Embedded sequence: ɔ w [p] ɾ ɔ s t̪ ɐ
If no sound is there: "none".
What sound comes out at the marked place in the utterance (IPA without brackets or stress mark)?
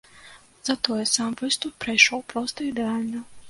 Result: p